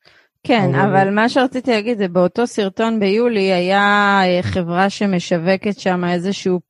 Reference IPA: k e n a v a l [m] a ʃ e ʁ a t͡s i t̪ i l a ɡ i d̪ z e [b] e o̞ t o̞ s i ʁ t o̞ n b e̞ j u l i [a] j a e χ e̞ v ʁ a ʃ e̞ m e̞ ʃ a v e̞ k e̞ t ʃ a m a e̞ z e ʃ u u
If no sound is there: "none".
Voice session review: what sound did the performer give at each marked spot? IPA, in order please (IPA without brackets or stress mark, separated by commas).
m, b, a